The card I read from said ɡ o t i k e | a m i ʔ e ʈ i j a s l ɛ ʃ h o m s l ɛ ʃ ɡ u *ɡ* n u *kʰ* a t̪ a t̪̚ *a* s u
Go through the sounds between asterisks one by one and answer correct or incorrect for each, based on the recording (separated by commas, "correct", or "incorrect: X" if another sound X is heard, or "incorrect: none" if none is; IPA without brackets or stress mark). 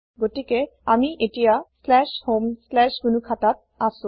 incorrect: none, correct, correct